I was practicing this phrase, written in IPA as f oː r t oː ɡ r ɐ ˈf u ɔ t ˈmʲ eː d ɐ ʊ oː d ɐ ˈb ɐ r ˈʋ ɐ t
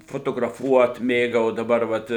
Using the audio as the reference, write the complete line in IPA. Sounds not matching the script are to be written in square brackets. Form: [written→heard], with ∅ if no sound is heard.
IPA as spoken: f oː [r→∅] t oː ɡ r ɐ ˈf u ɔ t ˈmʲ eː [d→ɡ] ɐ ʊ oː d ɐ ˈb ɐ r ˈʋ ɐ t